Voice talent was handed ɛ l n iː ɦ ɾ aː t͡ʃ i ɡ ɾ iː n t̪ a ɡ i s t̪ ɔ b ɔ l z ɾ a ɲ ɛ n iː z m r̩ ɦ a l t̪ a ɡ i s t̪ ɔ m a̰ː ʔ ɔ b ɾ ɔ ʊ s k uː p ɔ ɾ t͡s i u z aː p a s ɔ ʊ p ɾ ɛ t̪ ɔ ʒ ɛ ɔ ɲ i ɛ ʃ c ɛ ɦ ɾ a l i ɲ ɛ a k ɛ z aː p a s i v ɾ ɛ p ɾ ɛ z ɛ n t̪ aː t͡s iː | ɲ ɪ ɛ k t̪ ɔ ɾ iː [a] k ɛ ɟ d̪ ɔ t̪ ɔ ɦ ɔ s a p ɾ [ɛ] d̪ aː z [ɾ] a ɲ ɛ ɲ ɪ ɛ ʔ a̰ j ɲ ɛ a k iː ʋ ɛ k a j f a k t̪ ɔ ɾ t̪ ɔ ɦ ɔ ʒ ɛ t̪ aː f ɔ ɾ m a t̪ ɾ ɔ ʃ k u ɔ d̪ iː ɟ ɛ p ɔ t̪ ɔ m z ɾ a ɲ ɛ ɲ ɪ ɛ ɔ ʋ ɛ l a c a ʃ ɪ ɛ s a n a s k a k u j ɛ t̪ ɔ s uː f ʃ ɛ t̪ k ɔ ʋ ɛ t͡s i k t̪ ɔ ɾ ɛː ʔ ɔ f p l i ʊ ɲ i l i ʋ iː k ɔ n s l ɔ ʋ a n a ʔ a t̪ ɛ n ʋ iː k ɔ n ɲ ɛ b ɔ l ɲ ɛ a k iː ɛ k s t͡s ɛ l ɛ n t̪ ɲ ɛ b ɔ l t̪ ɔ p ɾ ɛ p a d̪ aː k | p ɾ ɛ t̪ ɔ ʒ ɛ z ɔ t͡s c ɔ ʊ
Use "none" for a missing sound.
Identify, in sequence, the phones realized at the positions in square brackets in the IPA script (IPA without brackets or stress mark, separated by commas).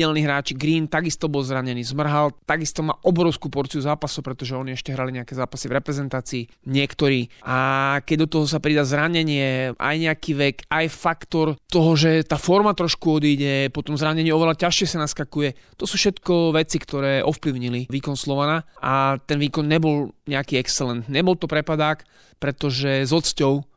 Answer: a, i, ɾ